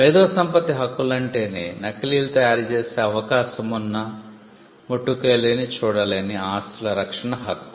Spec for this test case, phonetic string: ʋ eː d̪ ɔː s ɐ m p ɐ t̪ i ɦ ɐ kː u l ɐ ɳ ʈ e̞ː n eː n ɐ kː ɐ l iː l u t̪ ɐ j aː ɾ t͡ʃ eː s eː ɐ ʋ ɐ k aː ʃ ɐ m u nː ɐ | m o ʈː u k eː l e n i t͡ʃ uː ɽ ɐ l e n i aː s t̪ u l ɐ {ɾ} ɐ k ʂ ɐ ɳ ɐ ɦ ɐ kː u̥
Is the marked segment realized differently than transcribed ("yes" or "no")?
no